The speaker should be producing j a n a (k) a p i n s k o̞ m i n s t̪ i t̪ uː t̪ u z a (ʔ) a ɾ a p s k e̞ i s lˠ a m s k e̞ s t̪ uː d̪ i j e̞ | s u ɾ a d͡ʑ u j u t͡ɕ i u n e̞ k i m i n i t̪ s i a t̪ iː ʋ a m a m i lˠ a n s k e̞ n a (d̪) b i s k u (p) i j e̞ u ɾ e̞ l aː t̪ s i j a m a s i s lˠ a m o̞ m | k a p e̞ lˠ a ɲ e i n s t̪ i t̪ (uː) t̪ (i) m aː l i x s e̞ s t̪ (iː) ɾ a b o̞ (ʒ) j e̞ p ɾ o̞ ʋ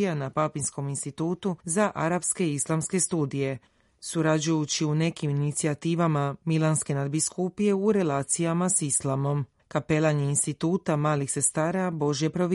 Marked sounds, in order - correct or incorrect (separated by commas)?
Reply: incorrect, correct, correct, correct, correct, incorrect, incorrect, correct